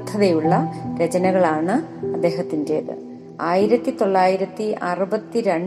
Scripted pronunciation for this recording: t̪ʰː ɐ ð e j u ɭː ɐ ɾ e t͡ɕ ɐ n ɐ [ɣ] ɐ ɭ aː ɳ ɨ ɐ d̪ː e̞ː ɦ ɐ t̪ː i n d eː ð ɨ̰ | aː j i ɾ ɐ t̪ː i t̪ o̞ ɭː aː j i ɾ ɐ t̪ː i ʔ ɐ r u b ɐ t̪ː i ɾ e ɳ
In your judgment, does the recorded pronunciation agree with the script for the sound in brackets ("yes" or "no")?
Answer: yes